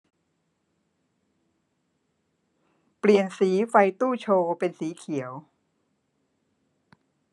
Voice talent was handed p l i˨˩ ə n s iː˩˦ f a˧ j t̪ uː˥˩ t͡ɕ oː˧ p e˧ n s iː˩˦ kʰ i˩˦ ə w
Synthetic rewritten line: p l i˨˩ ə n s iː˩˦ f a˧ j t̪ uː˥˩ t͡ɕʰ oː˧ p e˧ n s iː˩˦ kʰ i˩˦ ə w

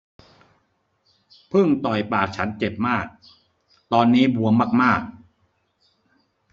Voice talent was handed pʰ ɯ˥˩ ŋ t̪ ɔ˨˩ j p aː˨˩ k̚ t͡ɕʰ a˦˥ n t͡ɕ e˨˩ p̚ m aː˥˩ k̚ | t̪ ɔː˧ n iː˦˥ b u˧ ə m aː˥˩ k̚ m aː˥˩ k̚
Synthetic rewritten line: pʰ ɯ˥˩ ŋ t̪ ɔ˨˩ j p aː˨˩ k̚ t͡ɕʰ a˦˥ n t͡ɕ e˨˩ p̚ m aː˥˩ k̚ | t̪ ɔː˧ nː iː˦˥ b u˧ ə m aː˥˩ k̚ m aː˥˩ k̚

